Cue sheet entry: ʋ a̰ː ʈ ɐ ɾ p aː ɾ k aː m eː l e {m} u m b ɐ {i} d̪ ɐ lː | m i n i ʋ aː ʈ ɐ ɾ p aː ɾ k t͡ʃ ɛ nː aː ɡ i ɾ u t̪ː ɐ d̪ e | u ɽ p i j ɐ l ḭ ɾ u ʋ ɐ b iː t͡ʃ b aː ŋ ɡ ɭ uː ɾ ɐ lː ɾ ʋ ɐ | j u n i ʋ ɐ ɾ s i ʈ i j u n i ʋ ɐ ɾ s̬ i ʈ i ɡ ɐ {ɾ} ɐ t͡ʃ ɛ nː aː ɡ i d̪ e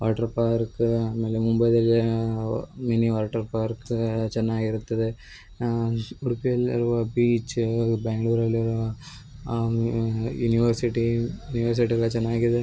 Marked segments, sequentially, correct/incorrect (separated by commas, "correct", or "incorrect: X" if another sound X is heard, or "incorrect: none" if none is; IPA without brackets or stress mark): correct, incorrect: j, incorrect: ɭ